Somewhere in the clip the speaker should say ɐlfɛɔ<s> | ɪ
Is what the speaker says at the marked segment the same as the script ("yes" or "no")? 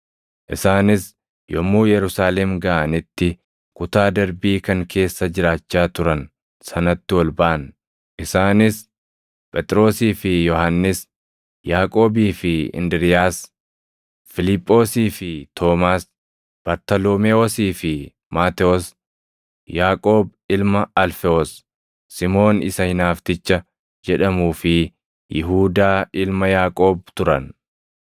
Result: no